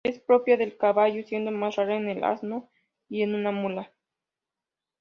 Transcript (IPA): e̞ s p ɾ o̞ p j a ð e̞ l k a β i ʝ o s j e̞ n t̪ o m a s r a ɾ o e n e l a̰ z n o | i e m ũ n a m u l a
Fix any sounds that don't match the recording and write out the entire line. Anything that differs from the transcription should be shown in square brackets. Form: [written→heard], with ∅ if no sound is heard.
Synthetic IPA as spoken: e̞ s p ɾ o̞ p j a ð e̞ l k a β [i→a] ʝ o s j e̞ n [t̪→d̪] o m a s r a ɾ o e n e l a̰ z n o | i e [m→n] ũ n a m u l a